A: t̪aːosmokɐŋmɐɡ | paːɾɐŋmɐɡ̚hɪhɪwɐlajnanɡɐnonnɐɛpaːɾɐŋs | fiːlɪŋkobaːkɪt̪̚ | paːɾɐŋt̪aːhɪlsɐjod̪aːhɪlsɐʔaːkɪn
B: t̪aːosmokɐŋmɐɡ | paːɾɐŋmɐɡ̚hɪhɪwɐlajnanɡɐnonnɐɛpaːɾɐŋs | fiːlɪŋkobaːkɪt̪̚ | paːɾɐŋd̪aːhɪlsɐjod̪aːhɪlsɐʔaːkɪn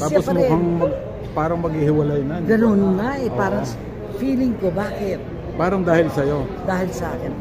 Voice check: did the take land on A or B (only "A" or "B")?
B